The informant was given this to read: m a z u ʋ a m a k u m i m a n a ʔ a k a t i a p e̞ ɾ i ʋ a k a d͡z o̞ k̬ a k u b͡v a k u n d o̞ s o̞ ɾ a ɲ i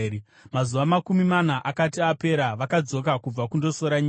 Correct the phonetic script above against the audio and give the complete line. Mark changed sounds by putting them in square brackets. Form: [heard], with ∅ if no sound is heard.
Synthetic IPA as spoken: m a z u ʋ a m a k u m i m a n a ʔ a k a t i a p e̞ ɾ [a] ʋ a k a d͡z o̞ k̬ a k u b͡v a k u n d o̞ s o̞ ɾ a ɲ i